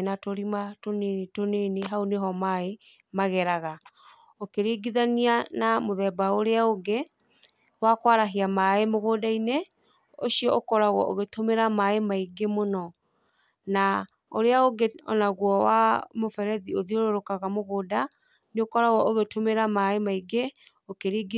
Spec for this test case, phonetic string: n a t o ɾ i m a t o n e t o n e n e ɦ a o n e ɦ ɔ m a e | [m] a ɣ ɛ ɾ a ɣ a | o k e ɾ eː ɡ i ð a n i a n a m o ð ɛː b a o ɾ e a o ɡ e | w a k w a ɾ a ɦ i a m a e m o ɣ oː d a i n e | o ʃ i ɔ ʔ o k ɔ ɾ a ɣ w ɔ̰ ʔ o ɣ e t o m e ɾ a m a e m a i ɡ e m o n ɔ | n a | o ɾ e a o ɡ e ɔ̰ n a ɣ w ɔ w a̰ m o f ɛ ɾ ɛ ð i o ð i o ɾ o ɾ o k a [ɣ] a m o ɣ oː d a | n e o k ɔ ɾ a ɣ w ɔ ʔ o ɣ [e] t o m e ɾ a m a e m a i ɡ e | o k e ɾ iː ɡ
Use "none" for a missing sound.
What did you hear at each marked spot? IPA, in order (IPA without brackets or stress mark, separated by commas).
m, ɣ, e